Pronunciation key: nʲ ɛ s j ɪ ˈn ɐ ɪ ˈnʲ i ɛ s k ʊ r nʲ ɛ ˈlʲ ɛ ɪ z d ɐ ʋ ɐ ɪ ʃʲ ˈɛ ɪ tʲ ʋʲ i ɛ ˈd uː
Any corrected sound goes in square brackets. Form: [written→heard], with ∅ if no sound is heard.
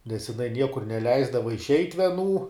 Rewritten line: nʲ ɛ s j ɪ ˈn ɐ ɪ ˈnʲ i ɛ [s→∅] k ʊ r nʲ ɛ ˈlʲ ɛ ɪ z d ɐ ʋ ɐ ɪ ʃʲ ˈɛ ɪ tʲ ʋʲ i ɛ [ˈd→ˈn] uː